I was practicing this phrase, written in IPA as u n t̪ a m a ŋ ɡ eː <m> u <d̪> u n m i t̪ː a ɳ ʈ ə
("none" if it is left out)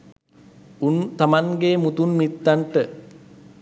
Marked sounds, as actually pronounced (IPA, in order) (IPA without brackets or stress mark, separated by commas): m, t̪